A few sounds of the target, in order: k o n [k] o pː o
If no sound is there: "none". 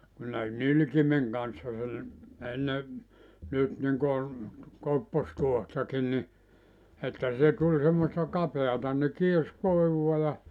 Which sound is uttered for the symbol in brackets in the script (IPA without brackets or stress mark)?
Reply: k